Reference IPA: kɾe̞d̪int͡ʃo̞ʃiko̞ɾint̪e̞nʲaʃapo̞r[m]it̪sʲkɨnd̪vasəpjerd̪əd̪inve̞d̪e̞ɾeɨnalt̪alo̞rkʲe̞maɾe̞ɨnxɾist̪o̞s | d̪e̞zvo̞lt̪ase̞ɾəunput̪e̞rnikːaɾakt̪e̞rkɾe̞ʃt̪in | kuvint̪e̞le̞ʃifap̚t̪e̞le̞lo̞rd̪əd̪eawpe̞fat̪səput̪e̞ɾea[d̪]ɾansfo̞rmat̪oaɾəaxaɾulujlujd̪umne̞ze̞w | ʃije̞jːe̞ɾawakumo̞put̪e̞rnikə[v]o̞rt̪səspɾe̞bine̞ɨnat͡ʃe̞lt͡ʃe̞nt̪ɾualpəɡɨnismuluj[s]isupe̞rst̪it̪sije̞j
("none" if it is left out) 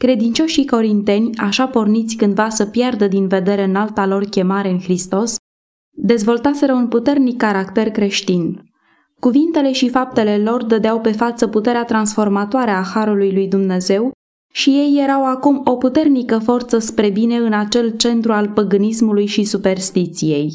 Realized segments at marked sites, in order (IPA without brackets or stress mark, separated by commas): n, t̪, f, ʃ